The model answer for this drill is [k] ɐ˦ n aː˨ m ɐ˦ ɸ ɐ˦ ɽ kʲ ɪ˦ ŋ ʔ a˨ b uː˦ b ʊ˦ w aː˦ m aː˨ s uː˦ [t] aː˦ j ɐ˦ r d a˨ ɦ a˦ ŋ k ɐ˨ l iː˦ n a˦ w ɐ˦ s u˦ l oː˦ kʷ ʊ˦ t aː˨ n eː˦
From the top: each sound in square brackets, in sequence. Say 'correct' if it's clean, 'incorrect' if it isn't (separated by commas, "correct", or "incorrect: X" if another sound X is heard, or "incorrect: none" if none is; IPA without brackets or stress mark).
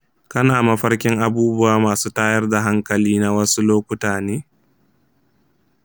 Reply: correct, correct